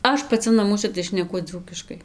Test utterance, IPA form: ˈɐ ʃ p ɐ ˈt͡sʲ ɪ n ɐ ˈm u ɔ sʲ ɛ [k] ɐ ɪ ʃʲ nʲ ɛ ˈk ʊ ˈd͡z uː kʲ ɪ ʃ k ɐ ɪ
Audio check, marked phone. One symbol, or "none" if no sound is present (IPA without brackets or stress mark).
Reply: t